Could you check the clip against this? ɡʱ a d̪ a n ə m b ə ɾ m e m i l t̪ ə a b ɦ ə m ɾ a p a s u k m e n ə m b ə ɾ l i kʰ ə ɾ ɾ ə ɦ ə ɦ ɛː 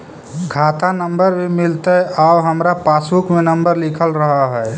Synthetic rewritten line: ɡʱ a t̪ a n ə m b ə ɾ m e m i l t̪ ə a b ɦ ə m ɾ a p a s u k m e n ə m b ə ɾ l i kʰ ə l ɾ ə ɦ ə ɦ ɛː